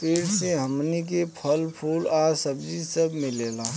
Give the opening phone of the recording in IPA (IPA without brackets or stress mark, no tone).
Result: p